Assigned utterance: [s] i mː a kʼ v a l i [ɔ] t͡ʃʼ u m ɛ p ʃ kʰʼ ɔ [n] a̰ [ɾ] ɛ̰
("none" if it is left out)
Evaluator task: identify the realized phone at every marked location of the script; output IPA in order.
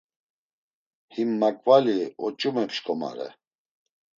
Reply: h, ɔ, m, ɾ

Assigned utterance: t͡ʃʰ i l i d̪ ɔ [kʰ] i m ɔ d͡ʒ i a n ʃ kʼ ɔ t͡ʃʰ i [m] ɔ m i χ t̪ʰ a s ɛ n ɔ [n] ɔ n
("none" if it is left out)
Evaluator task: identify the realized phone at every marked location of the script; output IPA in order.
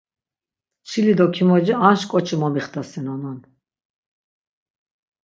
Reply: kʰ, m, n

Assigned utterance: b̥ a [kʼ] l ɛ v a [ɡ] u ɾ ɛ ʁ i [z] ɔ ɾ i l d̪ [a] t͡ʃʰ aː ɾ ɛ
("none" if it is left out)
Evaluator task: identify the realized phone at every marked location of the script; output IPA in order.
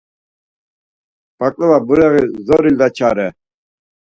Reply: kʼ, b, z, a

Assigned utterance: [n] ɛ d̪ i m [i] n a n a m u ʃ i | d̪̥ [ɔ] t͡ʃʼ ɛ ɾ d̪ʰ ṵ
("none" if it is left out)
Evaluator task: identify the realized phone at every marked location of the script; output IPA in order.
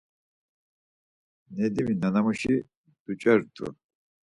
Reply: n, i, u

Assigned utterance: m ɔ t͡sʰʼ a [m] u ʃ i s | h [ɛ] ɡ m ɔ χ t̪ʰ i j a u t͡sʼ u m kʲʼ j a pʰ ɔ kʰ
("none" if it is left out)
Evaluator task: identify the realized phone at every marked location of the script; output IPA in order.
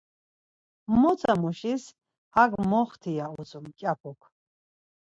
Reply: m, a

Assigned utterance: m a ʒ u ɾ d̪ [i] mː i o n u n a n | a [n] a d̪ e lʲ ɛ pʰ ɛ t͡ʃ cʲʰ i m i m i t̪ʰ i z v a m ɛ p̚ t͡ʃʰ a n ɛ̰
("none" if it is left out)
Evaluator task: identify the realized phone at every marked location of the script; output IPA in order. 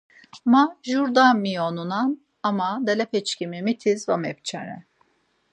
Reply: a, m

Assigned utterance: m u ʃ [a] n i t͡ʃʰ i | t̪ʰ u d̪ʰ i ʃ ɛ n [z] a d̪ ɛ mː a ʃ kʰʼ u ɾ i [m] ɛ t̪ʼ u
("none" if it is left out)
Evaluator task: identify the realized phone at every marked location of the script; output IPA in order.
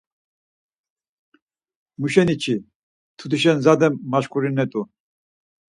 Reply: ɛ, z, n

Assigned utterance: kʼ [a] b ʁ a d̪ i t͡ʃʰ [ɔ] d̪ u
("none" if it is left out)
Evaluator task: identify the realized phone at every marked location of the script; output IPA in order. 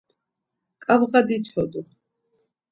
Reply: a, ɔ

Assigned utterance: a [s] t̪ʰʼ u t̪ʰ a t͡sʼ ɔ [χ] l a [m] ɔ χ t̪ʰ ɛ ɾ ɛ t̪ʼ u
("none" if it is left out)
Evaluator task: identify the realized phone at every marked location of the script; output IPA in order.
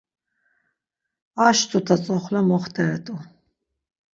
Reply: ʃ, χ, m

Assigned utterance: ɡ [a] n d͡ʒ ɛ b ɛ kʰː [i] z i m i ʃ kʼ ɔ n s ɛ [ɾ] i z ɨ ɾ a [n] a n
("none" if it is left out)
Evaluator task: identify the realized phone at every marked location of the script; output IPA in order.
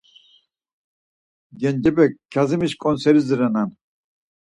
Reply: ɛ, a, ɾ, n

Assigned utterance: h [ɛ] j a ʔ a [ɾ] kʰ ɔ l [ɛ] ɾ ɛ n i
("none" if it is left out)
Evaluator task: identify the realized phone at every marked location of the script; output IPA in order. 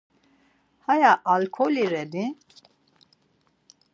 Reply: a, l, i

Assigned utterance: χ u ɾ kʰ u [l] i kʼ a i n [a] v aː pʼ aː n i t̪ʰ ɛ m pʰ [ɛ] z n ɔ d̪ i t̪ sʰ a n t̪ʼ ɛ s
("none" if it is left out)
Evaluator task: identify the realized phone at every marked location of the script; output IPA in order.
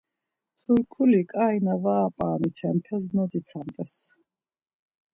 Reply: l, a, ɛ

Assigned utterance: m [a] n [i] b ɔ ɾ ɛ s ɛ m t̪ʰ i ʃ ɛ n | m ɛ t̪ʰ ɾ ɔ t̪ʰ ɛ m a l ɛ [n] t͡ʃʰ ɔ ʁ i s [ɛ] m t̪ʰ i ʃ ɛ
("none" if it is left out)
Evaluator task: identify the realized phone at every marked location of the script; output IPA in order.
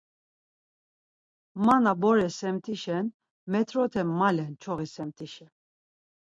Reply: a, a, n, ɛ

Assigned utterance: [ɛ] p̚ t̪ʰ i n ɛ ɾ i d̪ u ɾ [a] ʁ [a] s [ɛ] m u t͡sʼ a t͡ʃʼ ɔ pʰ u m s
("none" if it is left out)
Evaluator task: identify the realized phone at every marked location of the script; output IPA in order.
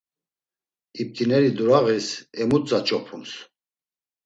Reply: i, a, i, ɛ

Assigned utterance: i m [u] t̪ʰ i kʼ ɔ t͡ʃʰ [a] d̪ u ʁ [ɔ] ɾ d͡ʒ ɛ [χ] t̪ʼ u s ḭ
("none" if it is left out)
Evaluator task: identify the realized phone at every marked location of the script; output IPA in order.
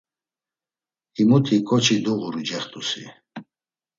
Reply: u, i, u, χ

